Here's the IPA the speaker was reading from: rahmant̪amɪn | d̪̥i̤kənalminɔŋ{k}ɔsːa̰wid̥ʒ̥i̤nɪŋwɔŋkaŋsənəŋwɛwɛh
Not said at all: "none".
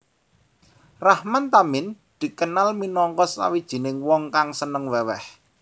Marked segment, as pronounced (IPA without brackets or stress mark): k